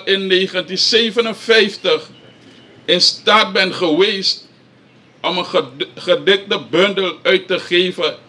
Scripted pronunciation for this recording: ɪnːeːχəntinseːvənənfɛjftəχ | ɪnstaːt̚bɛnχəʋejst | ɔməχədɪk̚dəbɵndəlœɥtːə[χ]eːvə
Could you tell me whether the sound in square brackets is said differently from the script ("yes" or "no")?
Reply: no